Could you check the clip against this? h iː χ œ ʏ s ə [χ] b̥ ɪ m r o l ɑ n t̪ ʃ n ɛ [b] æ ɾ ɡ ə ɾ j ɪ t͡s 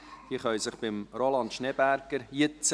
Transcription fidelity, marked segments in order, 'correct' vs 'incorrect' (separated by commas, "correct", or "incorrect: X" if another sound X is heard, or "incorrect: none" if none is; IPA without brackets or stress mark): correct, correct